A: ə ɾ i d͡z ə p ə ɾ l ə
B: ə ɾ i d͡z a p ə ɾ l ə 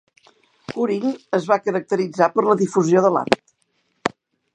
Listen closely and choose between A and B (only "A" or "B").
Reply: B